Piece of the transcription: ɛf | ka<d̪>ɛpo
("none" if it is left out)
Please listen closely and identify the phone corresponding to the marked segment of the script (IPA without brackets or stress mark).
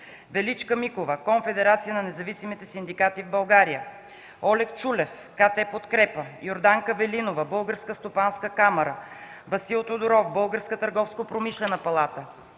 t̪